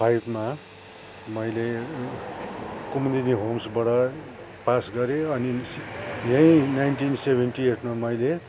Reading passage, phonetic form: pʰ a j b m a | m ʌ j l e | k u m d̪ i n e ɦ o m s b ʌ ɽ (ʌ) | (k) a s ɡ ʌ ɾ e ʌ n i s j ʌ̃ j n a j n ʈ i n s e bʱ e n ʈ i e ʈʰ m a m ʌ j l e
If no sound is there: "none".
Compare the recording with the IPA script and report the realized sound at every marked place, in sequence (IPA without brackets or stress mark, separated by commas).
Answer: ʌ, p